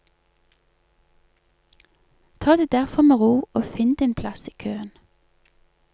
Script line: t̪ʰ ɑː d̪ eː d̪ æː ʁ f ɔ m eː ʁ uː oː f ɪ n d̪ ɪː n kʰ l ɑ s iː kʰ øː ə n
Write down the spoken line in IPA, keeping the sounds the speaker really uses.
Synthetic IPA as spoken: t̪ʰ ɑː d̪ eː d̪ æ ʁ f ɔ m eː ʁ uː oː f ɪ n d̪ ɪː n pʰ l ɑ s iː kʰ øː ə n